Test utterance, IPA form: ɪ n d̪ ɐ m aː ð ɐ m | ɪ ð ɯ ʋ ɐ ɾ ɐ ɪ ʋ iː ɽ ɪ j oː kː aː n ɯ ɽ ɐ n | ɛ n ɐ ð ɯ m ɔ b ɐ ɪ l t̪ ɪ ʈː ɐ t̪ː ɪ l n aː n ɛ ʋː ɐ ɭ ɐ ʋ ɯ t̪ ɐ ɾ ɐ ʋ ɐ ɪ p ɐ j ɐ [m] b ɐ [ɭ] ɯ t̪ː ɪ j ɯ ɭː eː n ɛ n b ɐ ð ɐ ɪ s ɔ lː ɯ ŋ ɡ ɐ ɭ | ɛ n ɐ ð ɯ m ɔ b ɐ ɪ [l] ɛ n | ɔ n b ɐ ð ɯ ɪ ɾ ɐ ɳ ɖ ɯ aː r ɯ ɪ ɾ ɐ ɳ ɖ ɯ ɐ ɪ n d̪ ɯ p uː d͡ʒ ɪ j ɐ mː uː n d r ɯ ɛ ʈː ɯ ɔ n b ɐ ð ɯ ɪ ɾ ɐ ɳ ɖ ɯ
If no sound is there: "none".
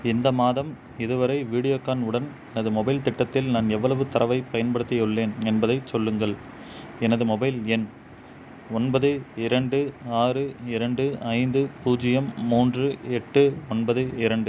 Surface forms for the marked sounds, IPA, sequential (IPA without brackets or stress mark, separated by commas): n, ɽ, l